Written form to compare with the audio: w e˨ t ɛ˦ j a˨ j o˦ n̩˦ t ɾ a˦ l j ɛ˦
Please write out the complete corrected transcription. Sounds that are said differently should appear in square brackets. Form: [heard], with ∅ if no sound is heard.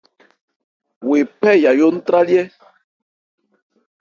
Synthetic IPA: w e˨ [p] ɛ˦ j a˨ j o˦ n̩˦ t ɾ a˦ l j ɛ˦